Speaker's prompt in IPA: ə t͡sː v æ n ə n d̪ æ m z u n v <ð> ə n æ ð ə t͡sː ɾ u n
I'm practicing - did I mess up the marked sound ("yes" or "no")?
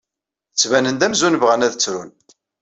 yes